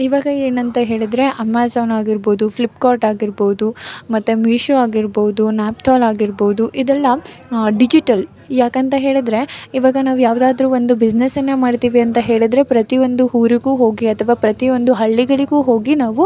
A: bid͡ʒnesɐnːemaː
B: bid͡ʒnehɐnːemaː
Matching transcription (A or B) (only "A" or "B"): A